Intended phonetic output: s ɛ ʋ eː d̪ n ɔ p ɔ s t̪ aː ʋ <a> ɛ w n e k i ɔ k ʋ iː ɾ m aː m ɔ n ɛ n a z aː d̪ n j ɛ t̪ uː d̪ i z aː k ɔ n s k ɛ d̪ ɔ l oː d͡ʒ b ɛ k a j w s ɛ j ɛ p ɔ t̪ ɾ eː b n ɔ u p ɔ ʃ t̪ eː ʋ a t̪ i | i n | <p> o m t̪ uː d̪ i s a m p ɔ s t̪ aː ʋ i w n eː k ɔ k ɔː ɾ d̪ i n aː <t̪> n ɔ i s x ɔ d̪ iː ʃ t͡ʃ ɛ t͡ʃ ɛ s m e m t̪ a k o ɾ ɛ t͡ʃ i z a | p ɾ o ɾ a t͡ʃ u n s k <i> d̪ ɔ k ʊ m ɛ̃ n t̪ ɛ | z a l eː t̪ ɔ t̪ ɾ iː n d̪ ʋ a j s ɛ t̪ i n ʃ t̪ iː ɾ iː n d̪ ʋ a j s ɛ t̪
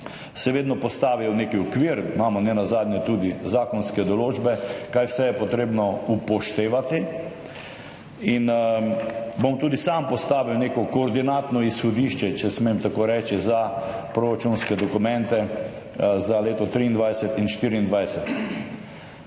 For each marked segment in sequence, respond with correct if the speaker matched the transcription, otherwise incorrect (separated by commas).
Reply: incorrect, incorrect, correct, incorrect